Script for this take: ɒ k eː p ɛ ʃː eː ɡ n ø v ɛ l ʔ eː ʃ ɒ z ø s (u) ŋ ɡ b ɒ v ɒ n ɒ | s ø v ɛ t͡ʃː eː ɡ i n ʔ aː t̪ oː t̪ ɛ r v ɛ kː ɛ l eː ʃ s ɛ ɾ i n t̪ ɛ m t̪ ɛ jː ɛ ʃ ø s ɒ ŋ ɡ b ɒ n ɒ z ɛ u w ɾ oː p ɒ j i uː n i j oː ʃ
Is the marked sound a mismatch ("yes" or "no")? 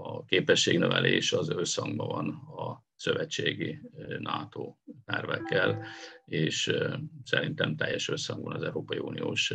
yes